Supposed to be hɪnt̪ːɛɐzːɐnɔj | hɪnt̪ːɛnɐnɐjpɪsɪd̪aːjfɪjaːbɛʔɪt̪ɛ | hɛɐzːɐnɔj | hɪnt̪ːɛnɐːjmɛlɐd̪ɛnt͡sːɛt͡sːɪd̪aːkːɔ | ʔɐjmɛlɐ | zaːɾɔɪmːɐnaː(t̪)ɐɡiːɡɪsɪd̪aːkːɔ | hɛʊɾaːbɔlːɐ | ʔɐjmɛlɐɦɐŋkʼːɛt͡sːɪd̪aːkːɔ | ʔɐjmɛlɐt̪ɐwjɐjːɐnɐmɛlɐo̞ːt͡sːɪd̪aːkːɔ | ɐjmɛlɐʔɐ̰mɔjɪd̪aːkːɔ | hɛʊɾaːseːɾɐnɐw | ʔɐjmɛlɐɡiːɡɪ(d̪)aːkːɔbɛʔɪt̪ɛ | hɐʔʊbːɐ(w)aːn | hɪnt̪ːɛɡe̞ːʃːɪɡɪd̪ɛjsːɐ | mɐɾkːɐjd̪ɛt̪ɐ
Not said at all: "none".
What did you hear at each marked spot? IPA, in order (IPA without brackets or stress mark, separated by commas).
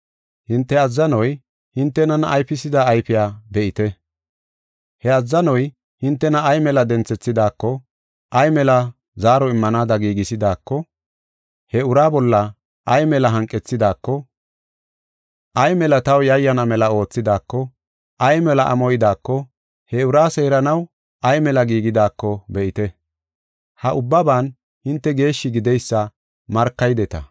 d̪, d̪, b